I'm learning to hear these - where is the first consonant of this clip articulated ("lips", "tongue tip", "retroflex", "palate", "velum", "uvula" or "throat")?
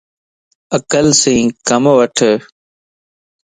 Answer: velum